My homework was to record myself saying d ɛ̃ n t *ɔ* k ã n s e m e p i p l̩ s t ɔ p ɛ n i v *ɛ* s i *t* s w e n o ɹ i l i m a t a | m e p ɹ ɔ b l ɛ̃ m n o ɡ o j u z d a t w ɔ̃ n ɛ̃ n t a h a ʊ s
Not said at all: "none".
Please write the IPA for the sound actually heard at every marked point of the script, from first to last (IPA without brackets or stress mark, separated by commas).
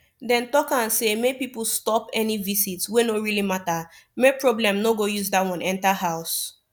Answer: ɔ, i, t